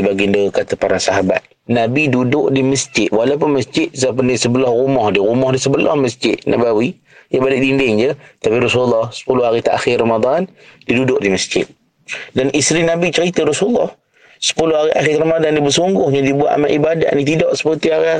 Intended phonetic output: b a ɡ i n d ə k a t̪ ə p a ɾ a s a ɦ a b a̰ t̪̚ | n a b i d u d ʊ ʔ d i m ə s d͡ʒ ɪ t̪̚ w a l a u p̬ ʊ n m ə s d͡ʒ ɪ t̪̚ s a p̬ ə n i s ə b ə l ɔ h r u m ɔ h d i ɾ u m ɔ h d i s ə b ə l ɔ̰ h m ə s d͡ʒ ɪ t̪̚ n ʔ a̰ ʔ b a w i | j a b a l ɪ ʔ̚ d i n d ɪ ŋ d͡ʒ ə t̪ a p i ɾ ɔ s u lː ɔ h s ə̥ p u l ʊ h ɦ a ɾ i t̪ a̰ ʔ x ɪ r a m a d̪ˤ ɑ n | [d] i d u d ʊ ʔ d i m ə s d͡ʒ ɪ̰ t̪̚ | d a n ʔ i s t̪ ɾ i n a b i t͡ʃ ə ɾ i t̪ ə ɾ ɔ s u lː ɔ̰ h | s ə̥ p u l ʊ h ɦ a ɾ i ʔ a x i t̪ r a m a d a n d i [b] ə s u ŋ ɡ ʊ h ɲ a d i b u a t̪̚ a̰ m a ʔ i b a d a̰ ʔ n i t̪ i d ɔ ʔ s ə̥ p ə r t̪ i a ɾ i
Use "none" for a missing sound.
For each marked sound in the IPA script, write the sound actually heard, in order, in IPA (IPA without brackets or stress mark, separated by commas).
d, b